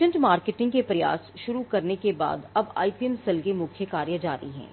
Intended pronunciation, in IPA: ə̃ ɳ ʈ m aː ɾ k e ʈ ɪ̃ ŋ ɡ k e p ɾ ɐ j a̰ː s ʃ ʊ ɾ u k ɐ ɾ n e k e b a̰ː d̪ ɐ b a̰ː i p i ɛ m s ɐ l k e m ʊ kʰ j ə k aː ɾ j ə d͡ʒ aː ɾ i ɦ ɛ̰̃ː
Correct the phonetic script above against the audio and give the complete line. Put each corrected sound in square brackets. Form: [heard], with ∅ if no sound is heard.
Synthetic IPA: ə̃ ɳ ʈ m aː ɾ k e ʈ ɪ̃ ŋ ɡ k e p ɾ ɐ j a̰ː s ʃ ʊ ɾ u k ɐ ɾ n e k e b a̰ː d̪ ɐ b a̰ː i p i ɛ m s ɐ l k e m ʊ kʰ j ə k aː ɾ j ə d͡ʒ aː ɾ i ɦ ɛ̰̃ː